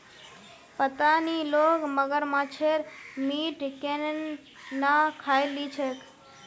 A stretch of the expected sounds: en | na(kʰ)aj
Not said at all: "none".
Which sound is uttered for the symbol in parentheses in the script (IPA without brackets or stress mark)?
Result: kʰ